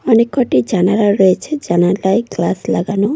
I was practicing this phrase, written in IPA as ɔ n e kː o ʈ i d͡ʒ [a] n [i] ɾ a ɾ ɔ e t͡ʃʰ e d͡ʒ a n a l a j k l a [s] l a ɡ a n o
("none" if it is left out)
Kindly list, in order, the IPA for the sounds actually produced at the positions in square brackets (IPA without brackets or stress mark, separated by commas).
a, a, s